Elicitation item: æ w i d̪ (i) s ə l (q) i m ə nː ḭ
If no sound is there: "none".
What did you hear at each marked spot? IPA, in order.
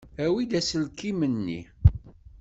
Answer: æ, k

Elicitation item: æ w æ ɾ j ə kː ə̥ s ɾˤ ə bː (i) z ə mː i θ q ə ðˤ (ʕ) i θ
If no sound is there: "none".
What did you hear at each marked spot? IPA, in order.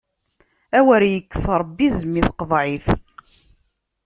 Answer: i, ʕ

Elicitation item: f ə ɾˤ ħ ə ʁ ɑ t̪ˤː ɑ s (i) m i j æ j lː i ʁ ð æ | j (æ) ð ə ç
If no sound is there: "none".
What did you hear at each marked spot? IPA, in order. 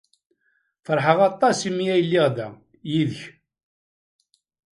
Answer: i, i

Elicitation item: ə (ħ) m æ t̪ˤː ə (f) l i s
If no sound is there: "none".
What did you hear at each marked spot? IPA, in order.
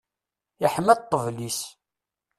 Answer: ħ, v

